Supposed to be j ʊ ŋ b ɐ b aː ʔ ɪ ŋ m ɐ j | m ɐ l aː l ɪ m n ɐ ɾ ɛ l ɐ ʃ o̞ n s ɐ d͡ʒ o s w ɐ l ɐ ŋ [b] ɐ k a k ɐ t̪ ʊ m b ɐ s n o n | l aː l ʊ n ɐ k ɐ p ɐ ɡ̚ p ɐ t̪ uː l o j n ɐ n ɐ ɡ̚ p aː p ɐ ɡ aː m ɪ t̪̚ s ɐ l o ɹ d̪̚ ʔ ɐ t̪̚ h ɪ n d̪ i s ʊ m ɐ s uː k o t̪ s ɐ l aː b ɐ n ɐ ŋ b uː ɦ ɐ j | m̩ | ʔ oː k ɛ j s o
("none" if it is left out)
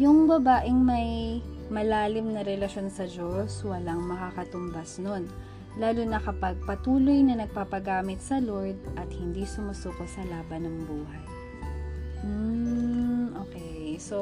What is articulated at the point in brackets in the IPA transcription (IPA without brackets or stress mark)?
m